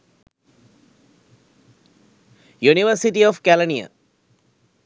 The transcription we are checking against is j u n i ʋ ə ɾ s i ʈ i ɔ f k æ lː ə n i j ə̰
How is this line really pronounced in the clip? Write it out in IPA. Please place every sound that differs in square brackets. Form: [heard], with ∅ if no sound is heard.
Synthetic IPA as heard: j u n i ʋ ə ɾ s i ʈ i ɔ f k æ [l] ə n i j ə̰